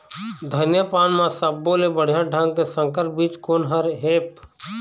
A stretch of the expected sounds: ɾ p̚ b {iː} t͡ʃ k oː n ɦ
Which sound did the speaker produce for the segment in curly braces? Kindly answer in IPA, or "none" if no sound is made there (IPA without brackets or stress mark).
iː